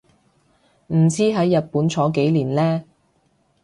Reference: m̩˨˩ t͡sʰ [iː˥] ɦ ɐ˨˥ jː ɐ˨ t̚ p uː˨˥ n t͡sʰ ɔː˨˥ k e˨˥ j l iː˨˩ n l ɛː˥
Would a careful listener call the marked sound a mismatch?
no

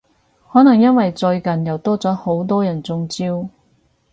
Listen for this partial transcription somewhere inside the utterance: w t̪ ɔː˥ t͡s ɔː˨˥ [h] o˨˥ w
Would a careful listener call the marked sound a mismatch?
no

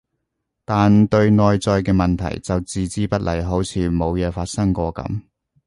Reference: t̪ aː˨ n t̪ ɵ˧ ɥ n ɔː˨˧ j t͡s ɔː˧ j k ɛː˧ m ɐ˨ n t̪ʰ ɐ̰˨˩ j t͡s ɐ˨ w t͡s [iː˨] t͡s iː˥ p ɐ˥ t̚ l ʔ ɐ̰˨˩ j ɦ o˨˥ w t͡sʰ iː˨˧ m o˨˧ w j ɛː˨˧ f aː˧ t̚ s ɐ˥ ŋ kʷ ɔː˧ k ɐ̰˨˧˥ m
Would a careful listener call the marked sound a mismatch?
no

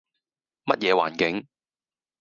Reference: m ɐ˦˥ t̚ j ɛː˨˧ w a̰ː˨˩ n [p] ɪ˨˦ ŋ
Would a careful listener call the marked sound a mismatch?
yes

